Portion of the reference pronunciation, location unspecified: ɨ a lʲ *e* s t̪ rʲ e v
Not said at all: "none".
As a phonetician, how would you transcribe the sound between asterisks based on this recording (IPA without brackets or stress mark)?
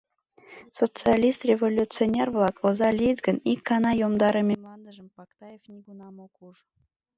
i